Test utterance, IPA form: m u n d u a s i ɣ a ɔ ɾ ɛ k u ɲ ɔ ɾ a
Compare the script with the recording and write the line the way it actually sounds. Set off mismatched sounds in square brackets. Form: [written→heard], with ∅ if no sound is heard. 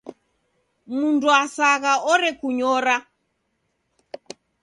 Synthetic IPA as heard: m u n d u a s [i→a] ɣ a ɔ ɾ ɛ k u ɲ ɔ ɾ a